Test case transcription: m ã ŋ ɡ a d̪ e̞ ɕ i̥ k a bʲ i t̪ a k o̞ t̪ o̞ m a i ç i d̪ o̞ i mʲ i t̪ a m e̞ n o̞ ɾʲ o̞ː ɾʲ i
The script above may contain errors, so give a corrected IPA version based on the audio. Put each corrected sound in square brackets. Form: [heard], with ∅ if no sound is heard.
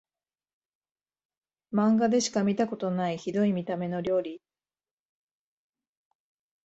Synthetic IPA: m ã ŋ ɡ a d̪ e̞ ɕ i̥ k a [mʲ] i t̪ a k o̞ t̪ o̞ [n] a i ç i d̪ o̞ i mʲ i t̪ a m e̞ n o̞ ɾʲ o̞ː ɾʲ i